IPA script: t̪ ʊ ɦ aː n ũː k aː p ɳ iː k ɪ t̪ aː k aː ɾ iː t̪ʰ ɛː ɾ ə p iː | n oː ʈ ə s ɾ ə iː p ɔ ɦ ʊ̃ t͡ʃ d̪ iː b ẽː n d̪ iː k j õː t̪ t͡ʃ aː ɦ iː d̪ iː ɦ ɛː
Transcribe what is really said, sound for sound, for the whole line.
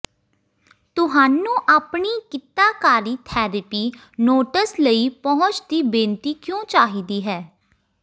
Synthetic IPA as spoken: t̪ ʊ ɦ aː n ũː ʔ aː p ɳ iː k ɪ t̪ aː k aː ɾ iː t̪ʰ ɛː ɾ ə p iː | n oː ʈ ə s l ə iː p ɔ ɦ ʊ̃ t͡ʃ d̪ iː b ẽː n t̪ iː k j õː t͡ʃ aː ɦ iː d̪ iː ɦ ɛː

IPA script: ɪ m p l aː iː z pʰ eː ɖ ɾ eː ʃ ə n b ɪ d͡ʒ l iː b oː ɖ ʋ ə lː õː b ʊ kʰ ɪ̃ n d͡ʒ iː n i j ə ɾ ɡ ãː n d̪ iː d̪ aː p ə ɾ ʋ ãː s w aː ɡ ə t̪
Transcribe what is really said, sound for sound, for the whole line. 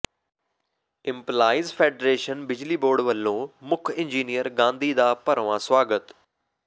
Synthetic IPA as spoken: ɪ m p l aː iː z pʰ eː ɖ ɾ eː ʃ ə n b ɪ d͡ʒ l iː b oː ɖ ʋ ə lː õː m ʊ kʰ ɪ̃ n d͡ʒ iː n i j ə ɾ ɡ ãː n d̪ iː d̪ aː p ə ɾ ʋ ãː s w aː ɡ ə t̪

